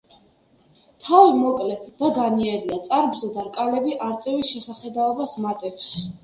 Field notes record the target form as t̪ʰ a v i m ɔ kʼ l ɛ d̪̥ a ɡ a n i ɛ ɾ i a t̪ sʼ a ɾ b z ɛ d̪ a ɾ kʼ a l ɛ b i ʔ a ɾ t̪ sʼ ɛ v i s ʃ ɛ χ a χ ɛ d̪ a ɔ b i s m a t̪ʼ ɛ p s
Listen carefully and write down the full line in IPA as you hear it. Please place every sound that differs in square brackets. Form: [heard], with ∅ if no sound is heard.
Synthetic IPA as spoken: t̪ʰ a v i m ɔ kʼ l ɛ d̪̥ a ɡ a n i ɛ ɾ i a t̪ sʼ a ɾ b z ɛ d̪ a ɾ kʼ a l ɛ b i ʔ a ɾ t̪ sʼ ɛ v i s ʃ ɛ [s] a χ ɛ d̪ a ɔ b [a] s m a t̪ʼ ɛ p s